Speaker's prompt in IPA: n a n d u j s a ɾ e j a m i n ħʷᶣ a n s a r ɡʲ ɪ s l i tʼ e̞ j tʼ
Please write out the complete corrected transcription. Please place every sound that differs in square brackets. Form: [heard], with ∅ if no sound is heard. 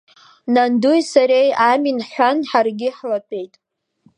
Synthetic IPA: n a n d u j s a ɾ e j a m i n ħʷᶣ a n [ħ] a r ɡʲ ɪ [ħ] l [a] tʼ e̞ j tʼ